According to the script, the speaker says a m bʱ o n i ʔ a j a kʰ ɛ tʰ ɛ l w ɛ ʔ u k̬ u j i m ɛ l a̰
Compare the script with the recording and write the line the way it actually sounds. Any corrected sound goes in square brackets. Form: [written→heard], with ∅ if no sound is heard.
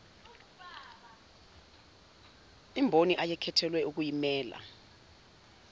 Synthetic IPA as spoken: [a→i] m bʱ o n i ʔ a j [a→ɛ] kʰ ɛ tʰ ɛ l w ɛ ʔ u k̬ u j i m [ɛ→ɛː] l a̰